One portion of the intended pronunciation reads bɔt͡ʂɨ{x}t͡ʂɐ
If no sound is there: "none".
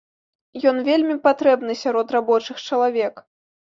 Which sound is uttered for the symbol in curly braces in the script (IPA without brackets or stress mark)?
x